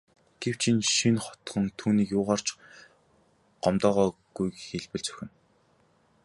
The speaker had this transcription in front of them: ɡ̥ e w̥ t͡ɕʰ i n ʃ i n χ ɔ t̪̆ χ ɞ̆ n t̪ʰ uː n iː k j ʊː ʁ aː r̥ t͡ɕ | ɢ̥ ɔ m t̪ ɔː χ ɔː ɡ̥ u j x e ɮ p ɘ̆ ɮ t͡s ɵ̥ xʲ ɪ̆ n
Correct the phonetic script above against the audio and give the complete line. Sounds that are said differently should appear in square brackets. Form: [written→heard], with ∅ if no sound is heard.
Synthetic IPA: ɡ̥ e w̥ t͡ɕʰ i n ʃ i n χ ɔ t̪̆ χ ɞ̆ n t̪ʰ uː n iː k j ʊː ʁ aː r̥ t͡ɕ | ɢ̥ ɔ m t̪ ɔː [χ→ʁ] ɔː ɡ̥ u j x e ɮ p ɘ̆ ɮ t͡s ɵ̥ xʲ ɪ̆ n

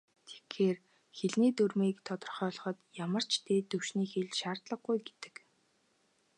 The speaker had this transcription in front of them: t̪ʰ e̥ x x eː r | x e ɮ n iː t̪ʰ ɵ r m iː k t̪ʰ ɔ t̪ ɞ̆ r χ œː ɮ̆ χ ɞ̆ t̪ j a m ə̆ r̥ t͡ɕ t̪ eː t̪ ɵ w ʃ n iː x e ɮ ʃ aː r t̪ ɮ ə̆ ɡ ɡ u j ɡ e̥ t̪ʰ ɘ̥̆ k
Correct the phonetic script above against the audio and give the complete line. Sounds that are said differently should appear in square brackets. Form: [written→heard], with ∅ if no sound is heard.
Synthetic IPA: t̪ʰ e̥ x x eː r | x e ɮ n iː [t̪ʰ→t̪] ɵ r m iː k t̪ʰ ɔ t̪ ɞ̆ r χ œː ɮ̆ χ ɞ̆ t̪ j a m ə̆ r̥ t͡ɕ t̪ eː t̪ ɵ w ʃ n iː x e ɮ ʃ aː r t̪ ɮ ə̆ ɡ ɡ u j ɡ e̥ [t̪ʰ→t̪] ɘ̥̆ k

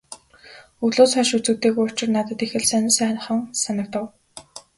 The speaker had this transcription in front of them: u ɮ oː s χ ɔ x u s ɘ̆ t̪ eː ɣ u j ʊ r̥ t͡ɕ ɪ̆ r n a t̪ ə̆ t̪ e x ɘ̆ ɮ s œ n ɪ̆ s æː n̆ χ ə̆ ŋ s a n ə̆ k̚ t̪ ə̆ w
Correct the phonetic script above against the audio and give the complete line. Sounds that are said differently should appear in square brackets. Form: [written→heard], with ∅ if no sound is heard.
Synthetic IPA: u ɮ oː s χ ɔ [x→ʃ] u [s→t͡s] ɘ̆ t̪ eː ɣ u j ʊ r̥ t͡ɕ ɪ̆ r n a t̪ ə̆ t̪ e x ɘ̆ ɮ s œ n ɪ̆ s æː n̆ χ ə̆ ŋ s a n ə̆ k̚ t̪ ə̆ w

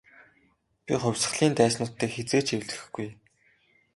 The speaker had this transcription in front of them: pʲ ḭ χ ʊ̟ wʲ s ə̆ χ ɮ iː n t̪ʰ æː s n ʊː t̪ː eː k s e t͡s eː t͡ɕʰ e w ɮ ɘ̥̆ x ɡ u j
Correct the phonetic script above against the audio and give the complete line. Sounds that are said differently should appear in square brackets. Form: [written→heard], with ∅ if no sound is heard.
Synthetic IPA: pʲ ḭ χ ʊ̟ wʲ s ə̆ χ ɮ iː n [t̪ʰ→t̪] æː s n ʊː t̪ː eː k [s→x] e t͡s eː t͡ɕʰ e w ɮ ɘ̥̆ x ɡ u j

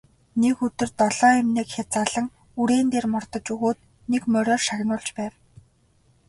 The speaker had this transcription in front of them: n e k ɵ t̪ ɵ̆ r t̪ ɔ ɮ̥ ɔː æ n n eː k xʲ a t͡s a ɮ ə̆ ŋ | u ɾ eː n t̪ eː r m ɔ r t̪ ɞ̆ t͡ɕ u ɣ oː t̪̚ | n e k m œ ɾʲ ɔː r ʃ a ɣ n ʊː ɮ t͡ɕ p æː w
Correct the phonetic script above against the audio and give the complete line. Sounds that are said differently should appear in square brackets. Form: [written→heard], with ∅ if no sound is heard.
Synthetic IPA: n e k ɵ t̪ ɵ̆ r t̪ ɔ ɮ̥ ɔː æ [n→m] n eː k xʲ a t͡s a ɮ ə̆ ŋ | u ɾ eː n t̪ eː r m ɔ r t̪ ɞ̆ t͡ɕ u ɣ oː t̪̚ | n e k m œ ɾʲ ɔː r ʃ a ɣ n ʊː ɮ t͡ɕ p æː w

